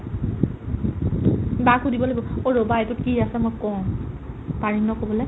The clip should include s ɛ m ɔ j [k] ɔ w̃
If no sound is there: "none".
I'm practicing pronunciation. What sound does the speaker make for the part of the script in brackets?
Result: k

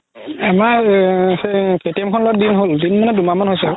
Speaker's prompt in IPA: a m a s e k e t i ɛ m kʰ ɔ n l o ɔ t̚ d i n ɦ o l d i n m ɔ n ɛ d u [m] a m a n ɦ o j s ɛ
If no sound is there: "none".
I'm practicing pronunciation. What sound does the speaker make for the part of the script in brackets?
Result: m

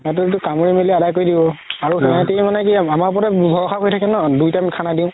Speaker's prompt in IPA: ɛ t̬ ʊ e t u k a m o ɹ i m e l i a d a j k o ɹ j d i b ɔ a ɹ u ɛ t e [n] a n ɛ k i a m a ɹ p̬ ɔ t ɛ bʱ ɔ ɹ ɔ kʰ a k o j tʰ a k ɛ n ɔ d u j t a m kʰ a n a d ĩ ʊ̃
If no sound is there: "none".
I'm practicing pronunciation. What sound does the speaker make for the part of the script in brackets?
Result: m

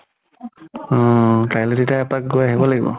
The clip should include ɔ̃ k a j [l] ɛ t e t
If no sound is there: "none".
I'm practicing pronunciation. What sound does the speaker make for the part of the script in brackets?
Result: l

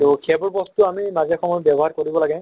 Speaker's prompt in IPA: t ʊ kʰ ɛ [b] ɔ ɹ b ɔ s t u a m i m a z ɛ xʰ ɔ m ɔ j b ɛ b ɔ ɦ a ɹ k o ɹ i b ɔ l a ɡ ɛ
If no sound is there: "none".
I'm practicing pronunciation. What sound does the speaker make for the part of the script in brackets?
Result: b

